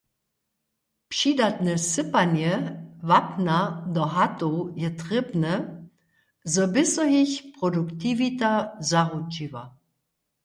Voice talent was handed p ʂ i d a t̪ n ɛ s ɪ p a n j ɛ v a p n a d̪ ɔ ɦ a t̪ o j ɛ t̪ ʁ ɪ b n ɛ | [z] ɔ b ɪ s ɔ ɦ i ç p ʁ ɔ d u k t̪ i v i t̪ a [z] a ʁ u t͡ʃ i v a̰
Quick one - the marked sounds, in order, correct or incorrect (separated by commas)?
correct, correct